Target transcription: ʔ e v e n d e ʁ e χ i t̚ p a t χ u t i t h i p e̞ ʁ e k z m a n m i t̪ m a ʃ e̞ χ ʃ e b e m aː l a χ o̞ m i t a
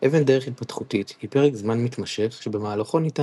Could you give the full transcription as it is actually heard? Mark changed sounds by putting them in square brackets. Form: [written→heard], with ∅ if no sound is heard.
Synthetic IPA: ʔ e v e n d e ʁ e χ i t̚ p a t χ u t i t h i p e̞ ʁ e k z m a n m i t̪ m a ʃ e̞ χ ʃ e b e m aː l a χ o̞ [m→n] i t a